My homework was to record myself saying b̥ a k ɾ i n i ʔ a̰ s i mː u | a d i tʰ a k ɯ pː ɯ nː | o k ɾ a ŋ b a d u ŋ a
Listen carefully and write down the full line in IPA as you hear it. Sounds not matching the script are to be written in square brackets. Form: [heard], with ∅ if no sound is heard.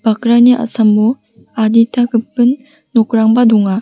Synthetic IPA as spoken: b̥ a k ɾ [a] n i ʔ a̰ s [a] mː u | a d i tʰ a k ɯ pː ɯ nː | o k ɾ a ŋ b a d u ŋ a